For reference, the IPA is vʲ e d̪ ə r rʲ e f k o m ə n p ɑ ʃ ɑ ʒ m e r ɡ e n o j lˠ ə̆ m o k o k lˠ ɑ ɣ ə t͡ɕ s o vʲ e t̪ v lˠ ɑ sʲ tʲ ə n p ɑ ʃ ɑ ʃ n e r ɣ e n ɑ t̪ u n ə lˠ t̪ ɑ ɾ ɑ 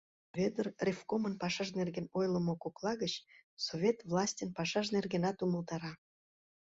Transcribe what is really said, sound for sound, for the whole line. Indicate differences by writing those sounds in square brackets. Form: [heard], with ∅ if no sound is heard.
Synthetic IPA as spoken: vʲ e d̪ ə r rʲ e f k o m ə n p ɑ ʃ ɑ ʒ [n] e r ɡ e n o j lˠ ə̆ m o k o k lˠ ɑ ɣ ə t͡ɕ s o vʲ e t̪ v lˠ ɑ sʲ tʲ ə n p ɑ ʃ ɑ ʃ n e r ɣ e n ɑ t̪ u [m] ə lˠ t̪ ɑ ɾ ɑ